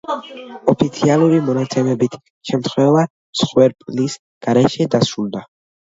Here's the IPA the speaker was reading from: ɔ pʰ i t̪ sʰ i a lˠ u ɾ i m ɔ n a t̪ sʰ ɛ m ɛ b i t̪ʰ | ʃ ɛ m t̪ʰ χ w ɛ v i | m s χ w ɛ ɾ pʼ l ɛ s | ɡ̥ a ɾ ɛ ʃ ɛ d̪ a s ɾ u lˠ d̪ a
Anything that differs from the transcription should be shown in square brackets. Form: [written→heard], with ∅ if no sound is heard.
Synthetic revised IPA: ɔ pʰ i t̪ sʰ i a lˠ u ɾ i m ɔ n a t̪ sʰ ɛ m ɛ b i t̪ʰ | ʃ ɛ m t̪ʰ χ w ɛ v [i→a] | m s χ w ɛ ɾ pʼ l [ɛ→i] s | ɡ̥ a ɾ ɛ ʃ ɛ d̪ a s ɾ u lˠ d̪ a